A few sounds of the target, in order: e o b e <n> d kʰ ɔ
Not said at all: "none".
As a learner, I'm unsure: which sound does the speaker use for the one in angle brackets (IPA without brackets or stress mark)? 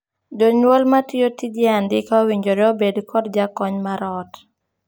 none